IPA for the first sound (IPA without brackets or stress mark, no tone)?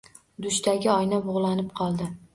d̪